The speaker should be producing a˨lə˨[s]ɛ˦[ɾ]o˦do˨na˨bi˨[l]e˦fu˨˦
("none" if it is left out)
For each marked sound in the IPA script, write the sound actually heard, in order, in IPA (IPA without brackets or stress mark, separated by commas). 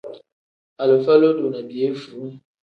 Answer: f, l, none